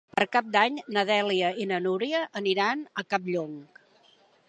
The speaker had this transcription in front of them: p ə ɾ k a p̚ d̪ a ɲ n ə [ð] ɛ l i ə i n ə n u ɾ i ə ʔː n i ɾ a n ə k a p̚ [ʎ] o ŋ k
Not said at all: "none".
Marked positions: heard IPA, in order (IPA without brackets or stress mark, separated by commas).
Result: ð, ʎ